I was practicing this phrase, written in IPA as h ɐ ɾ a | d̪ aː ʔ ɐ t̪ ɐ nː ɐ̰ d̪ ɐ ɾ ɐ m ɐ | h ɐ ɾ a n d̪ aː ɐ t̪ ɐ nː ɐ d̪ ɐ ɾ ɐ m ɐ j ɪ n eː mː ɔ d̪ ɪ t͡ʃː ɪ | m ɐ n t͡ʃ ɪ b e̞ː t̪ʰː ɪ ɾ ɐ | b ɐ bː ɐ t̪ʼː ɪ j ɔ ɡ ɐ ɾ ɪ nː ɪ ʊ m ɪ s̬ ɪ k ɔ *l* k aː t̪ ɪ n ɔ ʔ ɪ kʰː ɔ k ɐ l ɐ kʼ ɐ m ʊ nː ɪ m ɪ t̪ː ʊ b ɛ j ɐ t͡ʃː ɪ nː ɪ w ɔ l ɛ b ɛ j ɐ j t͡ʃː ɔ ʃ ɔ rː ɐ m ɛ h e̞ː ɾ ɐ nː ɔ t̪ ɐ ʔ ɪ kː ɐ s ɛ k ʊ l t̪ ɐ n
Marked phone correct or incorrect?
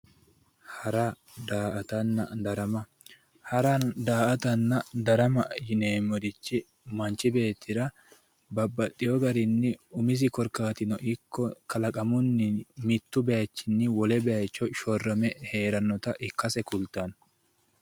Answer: incorrect: ɾ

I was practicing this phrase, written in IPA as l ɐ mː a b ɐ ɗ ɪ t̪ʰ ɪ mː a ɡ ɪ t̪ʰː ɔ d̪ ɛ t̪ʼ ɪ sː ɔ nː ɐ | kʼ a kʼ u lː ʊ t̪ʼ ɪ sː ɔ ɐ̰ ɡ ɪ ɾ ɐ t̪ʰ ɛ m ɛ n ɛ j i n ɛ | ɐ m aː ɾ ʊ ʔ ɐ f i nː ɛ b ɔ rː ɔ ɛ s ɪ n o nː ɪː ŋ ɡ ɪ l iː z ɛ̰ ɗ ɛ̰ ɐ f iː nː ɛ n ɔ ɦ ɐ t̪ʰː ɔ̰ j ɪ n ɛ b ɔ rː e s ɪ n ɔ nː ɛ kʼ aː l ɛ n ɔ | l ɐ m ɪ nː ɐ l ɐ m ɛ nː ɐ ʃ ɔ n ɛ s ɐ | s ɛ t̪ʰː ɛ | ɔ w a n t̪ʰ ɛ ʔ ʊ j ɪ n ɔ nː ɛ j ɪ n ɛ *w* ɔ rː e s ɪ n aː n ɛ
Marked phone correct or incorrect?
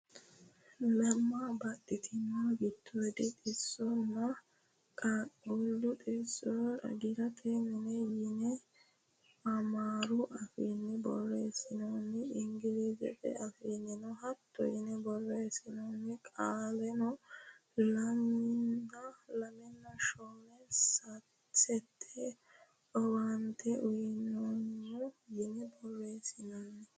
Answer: incorrect: b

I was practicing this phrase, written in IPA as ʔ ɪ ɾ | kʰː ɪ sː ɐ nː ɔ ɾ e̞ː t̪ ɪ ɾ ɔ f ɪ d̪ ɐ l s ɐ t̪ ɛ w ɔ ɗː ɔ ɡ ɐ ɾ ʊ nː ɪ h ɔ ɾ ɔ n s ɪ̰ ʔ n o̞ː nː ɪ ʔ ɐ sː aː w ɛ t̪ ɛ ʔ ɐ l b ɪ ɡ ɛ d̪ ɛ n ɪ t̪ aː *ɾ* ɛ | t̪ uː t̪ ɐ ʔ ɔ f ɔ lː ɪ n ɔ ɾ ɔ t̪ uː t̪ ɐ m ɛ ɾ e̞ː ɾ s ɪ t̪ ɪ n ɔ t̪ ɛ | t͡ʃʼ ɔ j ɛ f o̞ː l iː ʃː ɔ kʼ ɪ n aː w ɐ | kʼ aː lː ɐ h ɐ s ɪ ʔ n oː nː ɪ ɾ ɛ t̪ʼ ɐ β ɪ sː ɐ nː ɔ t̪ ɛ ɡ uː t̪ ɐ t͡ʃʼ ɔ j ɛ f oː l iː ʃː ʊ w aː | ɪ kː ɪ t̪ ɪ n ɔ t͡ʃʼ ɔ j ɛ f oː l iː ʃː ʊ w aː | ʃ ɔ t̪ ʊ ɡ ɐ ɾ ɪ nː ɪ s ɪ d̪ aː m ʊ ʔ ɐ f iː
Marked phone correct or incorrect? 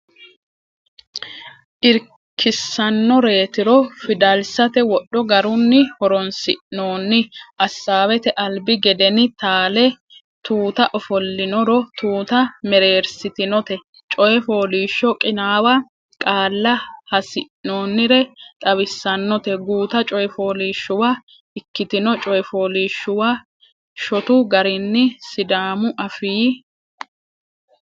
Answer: incorrect: l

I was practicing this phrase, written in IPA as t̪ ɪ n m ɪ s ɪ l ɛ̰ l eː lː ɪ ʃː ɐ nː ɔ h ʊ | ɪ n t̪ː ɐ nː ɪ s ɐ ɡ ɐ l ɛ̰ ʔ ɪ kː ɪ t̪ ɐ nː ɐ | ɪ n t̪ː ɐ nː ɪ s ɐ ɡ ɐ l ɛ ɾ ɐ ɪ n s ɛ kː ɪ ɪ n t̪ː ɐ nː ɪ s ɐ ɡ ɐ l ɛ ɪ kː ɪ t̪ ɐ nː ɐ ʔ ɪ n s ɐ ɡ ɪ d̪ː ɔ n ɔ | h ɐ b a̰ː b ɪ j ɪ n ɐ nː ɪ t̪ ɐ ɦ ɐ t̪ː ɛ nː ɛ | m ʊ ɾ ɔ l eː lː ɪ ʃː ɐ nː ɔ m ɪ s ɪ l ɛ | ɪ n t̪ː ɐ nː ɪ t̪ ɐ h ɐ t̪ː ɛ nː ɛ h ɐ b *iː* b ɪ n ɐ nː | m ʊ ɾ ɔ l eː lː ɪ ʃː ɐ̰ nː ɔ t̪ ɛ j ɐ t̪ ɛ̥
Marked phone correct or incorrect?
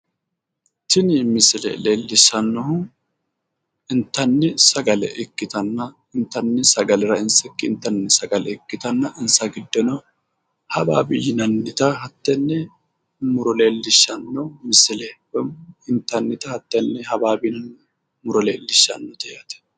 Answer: incorrect: aː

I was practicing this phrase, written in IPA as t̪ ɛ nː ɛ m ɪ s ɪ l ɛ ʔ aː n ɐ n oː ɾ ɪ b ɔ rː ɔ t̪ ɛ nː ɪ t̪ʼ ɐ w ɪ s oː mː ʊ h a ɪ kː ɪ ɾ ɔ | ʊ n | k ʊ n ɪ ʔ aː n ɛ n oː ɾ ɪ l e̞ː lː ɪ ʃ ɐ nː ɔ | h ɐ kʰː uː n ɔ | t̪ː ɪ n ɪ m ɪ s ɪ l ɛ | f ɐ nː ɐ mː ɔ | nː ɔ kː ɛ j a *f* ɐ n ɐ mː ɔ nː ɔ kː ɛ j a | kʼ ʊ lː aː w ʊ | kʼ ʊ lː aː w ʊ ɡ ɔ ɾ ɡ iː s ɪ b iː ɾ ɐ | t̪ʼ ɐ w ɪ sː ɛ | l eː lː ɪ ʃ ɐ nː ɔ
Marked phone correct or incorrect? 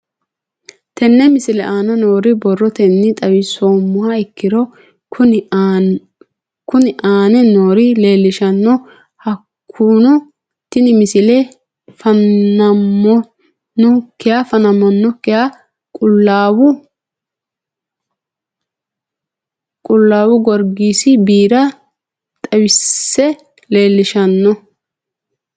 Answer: correct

